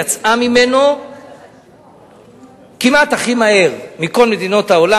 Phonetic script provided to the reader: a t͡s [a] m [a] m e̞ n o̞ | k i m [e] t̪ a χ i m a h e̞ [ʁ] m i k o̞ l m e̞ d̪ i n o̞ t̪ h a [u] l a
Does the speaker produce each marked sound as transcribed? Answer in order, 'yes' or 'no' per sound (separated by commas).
yes, no, no, yes, no